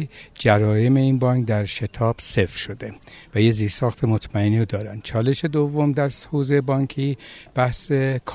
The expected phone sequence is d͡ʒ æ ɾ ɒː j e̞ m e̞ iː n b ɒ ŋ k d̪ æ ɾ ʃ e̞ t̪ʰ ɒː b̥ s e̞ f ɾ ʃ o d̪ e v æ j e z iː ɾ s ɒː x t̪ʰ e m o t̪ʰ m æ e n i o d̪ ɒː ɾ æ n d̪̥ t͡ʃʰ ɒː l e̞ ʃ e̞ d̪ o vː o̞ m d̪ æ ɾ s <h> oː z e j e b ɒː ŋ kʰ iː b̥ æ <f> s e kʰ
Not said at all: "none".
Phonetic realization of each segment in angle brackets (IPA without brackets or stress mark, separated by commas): h, h